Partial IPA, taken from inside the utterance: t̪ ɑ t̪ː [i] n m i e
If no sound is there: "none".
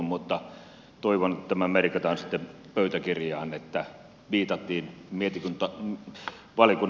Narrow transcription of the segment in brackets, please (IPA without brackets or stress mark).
iː